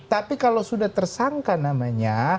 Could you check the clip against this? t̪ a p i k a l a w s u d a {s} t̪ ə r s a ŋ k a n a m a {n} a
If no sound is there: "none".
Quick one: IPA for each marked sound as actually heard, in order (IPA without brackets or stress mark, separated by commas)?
h, ɲ